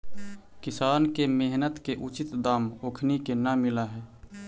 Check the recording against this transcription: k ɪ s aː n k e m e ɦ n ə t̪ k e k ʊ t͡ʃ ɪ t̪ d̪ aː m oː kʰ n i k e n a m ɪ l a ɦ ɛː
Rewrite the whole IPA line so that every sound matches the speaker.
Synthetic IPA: k ɪ s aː n k e m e ɦ n ə t̪ k e ʔ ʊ t͡ʃ ɪ t̪ d̪ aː m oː kʰ n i k e n a m ɪ l a ɦ ɛː